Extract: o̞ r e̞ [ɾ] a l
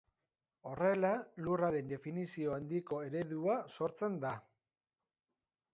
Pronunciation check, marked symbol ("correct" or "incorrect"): incorrect